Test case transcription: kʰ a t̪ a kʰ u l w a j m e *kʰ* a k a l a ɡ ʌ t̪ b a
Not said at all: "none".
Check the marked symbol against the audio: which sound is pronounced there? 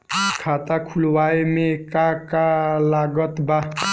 k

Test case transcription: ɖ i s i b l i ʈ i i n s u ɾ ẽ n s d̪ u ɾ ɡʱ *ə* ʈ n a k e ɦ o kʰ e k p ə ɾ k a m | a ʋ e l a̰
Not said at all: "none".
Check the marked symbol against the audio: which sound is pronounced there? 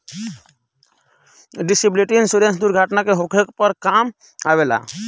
a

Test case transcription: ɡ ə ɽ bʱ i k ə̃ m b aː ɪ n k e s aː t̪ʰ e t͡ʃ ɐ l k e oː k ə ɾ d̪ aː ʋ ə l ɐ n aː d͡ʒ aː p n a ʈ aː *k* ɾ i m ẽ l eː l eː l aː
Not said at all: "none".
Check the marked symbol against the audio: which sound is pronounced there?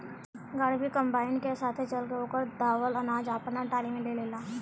none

